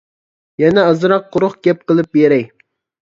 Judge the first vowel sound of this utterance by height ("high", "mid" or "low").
mid